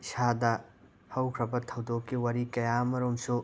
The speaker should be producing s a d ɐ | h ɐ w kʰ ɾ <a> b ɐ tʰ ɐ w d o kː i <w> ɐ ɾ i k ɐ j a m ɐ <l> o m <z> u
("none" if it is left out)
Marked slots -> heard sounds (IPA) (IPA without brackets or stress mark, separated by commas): ɐ, w, ɾ, s